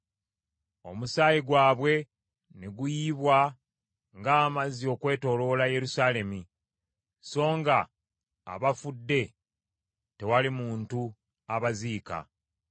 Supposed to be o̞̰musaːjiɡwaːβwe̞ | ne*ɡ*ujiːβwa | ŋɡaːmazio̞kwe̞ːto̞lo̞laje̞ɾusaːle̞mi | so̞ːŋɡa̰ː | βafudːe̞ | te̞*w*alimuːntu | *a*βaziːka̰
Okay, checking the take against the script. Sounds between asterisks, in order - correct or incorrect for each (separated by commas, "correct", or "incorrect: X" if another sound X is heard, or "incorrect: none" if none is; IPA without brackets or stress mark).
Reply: correct, correct, correct